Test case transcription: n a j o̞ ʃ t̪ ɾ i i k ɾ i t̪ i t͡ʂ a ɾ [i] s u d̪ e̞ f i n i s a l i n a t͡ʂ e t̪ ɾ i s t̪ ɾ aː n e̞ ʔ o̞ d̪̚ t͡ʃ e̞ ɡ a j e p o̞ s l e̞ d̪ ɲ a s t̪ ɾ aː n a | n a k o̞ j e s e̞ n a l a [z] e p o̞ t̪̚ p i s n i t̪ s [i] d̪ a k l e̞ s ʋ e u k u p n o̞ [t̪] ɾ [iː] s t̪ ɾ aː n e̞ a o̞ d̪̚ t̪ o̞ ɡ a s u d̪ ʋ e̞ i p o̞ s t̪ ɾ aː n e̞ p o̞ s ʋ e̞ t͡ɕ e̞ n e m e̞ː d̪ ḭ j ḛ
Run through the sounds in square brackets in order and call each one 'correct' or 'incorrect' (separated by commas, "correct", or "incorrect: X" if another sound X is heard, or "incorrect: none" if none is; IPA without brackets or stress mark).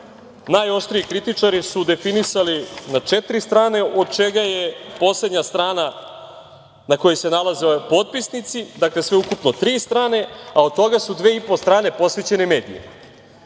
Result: correct, correct, correct, correct, correct